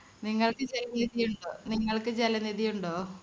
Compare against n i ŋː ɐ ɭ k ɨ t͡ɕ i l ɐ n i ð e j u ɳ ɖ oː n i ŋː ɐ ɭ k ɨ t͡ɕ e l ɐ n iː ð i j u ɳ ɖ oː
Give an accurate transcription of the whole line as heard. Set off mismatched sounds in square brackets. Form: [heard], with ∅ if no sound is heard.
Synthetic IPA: n i ŋː ɐ ɭ k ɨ t͡ɕ [e] l ɐ n i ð [i] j u ɳ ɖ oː n i ŋː ɐ ɭ k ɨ t͡ɕ e l ɐ n [i] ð i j u ɳ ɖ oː